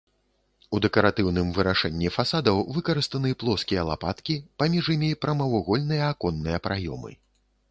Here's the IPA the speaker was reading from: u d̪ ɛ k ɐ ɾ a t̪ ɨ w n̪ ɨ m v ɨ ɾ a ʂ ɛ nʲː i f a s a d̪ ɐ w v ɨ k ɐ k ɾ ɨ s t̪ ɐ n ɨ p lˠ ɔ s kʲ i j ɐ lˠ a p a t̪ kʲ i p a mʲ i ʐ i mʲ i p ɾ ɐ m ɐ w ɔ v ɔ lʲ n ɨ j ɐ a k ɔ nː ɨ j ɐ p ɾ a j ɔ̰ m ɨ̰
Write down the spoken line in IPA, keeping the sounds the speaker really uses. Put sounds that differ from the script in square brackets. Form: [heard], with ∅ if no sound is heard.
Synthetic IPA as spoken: u d̪ ɛ k ɐ ɾ a t̪ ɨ w n̪ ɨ m v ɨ ɾ a ʂ ɛ nʲː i f a s a d̪ ɐ w v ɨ k ɐ [∅] ɾ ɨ s t̪ ɐ n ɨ p lˠ ɔ s kʲ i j ɐ lˠ a p a t̪ kʲ i p a mʲ i ʐ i mʲ i p ɾ ɐ m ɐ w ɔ [ɣ] ɔ lʲ n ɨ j ɐ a k ɔ nː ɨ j ɐ p ɾ a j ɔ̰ m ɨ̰